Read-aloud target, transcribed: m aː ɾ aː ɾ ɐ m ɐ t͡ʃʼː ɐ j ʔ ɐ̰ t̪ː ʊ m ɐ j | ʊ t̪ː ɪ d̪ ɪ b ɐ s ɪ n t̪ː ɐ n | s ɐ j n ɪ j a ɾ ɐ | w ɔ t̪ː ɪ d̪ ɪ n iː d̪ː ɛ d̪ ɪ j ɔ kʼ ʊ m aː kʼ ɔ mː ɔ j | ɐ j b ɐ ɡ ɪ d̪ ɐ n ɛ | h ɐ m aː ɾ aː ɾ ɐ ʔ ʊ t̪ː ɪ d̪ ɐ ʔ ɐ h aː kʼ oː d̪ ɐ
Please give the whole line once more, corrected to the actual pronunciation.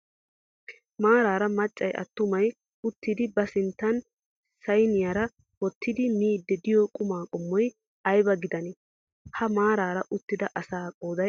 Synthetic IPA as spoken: m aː ɾ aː ɾ ɐ m ɐ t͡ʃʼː ɐ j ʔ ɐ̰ t̪ː ʊ m ɐ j | ʊ t̪ː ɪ d̪ ɪ b ɐ s ɪ n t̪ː ɐ n | s ɐ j n ɪ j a ɾ ɐ | w ɔ t̪ː ɪ d̪ ɪ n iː d̪ː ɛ d̪ ɪ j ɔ kʼ ʊ m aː kʼ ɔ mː ɔ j | ɐ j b ɐ ɡ ɪ d̪ ɐ n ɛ | h ɐ m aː ɾ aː ɾ ɐ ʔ ʊ t̪ː ɪ d̪ ɐ ʔ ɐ s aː kʼ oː d̪ ɐ

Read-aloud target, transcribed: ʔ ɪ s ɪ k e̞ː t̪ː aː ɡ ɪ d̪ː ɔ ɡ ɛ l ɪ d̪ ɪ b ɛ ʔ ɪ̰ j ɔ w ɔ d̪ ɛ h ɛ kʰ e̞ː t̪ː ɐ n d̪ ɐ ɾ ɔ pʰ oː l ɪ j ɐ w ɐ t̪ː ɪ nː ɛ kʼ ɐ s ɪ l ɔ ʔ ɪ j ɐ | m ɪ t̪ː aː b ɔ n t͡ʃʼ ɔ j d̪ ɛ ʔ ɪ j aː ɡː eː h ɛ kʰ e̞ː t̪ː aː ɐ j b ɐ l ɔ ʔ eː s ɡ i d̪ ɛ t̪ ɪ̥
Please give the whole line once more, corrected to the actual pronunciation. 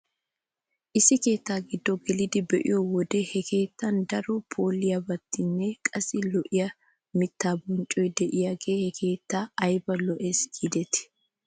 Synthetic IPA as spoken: ʔ ɪ s ɪ k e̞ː t̪ː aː ɡ ɪ d̪ː ɔ ɡ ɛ l ɪ d̪ ɪ b ɛ ʔ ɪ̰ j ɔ w ɔ d̪ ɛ h ɛ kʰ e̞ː t̪ː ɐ n d̪ ɐ ɾ ɔ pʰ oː l ɪ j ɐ b ɐ t̪ː ɪ nː ɛ kʼ ɐ s ɪ l ɔ ʔ ɪ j ɐ | m ɪ t̪ː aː b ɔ n t͡ʃʼ ɔ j d̪ ɛ ʔ ɪ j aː ɡ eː h ɛ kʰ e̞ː t̪ː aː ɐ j b ɐ l ɔ ʔ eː s ɡ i d̪ ɛ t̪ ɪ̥

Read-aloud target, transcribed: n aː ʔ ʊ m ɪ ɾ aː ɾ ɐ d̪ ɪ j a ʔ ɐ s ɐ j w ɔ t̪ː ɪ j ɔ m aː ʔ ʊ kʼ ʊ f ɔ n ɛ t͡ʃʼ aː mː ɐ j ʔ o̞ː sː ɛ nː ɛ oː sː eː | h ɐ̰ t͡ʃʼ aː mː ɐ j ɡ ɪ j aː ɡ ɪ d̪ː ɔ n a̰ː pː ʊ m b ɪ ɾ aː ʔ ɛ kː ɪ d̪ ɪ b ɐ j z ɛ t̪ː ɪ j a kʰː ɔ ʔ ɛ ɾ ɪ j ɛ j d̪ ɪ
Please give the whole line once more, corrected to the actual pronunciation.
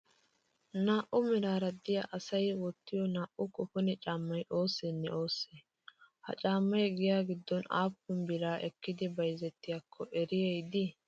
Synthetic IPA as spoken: n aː ʔ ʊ m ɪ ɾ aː ɾ ɐ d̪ ɪ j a ʔ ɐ s ɐ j w ɔ t̪ː ɪ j ɔ n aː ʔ ʊ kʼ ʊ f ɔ n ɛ t͡ʃʼ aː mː ɐ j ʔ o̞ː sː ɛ nː ɛ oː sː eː | h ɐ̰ t͡ʃʼ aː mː ɐ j ɡ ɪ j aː ɡ ɪ d̪ː ɔ n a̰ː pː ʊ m b ɪ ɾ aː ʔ ɛ kː ɪ d̪ ɪ b ɐ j z ɛ t̪ː ɪ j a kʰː ɔ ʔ ɛ ɾ ɪ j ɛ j d̪ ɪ

